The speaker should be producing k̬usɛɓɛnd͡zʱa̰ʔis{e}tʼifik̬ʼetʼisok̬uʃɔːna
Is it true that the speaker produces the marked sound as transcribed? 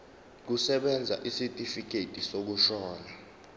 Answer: no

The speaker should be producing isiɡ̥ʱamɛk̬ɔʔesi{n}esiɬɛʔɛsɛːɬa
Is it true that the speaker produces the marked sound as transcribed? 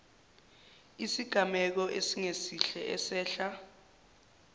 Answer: no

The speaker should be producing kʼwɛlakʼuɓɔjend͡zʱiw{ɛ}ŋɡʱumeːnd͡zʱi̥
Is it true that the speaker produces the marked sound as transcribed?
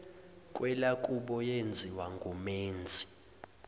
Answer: no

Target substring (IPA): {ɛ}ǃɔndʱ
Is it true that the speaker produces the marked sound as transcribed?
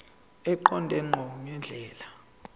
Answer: yes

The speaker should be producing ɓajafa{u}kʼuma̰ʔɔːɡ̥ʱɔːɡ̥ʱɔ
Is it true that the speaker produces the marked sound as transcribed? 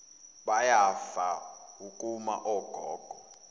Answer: yes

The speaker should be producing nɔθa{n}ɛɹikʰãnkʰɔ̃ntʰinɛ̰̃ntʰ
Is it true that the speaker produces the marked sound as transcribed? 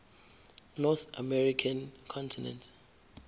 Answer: no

